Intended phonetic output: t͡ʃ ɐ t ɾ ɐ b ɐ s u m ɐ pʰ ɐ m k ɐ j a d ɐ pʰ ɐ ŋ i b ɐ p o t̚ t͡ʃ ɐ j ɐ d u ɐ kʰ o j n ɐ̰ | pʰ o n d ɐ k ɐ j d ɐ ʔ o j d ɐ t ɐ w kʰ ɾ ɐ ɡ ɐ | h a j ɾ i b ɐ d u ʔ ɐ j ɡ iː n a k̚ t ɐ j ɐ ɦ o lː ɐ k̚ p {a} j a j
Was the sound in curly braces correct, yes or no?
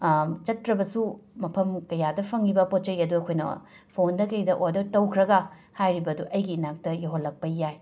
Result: no